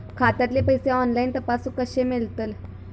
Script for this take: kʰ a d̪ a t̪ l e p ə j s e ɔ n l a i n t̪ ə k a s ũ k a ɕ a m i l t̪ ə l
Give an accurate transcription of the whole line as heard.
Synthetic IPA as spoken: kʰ a t̪ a t̪ l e p ə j s e ɔ n l a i n t̪ ə p a s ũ k ə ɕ e m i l t̪ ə l